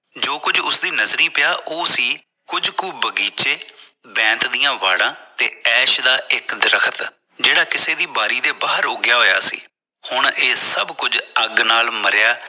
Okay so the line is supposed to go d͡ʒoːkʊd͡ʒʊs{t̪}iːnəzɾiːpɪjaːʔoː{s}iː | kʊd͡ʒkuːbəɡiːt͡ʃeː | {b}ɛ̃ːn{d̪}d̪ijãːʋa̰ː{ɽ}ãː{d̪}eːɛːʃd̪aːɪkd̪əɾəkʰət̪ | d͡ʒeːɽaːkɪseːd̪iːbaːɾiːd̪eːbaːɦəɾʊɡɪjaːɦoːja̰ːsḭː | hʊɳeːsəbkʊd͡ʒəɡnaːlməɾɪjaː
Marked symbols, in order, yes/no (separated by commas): no, yes, yes, no, yes, no